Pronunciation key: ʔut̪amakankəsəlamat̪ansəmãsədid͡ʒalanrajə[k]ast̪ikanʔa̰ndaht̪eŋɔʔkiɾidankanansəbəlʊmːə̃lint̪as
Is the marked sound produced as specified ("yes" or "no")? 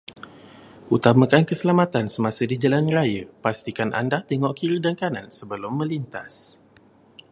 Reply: no